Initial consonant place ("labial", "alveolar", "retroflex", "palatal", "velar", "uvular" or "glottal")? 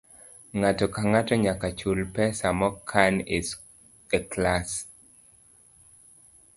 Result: velar